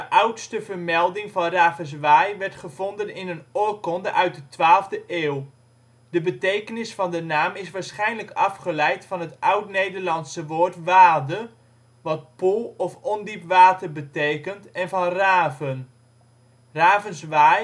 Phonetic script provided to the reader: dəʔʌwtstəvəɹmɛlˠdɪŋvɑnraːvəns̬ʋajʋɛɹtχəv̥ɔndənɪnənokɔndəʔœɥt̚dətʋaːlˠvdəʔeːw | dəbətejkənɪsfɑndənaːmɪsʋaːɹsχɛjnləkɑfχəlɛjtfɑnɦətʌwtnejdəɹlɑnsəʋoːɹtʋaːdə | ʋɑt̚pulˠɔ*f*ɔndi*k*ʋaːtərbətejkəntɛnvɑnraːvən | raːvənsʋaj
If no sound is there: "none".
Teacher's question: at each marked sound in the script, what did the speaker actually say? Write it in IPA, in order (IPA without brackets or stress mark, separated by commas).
f, p